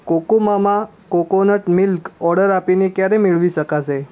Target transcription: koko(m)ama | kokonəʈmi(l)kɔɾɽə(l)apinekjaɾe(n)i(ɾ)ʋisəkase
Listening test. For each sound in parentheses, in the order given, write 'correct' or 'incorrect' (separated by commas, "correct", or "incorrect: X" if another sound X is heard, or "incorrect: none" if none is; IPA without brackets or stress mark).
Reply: correct, correct, incorrect: ɾ, incorrect: m, incorrect: ɭ